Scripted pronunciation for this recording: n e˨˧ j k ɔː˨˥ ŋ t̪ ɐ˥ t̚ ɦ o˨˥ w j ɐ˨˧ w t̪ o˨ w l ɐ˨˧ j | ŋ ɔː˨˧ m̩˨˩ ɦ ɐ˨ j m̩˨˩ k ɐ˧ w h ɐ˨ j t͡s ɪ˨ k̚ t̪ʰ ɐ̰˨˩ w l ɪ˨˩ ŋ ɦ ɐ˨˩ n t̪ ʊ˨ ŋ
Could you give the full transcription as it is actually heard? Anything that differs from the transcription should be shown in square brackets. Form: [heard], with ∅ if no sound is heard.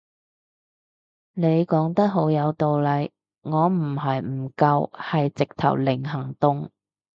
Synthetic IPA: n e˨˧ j k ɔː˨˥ ŋ t̪ ɐ˥ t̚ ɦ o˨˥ w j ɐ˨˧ w t̪ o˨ w l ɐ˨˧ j | ŋ ɔː˨˧ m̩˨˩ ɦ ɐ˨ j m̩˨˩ k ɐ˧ w h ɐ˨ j t͡s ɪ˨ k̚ t̪ʰ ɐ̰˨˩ w l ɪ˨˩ ŋ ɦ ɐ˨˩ [ŋ] t̪ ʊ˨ ŋ